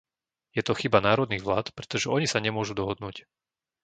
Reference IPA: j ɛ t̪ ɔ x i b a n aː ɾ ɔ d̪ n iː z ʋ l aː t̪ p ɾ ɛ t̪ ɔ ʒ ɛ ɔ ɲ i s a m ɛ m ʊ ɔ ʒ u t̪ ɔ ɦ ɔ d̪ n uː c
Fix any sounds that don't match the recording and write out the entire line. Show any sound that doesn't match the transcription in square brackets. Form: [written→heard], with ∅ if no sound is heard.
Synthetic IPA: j ɛ t̪ ɔ x i b a n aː ɾ ɔ d̪ n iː [z→ɣ] ʋ l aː t̪ p ɾ ɛ t̪ ɔ ʒ ɛ ɔ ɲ i s a [m→ɲ] ɛ m ʊ ɔ ʒ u [t̪→d̪] ɔ ɦ ɔ d̪ n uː c